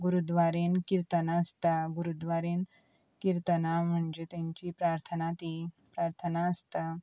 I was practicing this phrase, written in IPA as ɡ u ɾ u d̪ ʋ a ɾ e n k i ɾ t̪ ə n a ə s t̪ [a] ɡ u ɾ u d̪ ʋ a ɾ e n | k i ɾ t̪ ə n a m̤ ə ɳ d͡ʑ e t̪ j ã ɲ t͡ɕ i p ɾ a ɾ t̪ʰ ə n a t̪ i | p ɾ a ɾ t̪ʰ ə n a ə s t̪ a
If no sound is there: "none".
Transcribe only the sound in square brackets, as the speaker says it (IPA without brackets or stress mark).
a